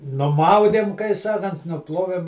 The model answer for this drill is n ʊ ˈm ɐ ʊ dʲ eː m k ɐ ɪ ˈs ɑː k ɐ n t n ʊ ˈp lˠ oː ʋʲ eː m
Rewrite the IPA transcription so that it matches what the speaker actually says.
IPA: n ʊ ˈm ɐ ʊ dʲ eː m k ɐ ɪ ˈs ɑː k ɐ n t n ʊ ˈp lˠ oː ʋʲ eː m